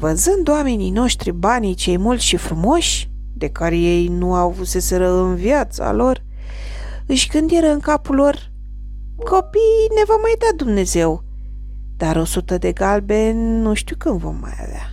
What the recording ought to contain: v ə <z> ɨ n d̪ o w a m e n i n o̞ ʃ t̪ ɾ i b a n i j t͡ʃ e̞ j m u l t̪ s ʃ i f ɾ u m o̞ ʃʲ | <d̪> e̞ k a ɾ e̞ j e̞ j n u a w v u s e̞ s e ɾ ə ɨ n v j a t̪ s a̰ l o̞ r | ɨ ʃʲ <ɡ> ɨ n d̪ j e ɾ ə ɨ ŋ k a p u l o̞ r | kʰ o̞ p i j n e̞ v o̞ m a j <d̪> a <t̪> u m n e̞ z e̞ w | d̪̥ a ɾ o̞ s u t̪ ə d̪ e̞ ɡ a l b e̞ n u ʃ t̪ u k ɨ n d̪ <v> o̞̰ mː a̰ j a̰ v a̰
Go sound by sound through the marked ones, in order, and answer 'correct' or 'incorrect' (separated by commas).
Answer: correct, correct, correct, correct, incorrect, correct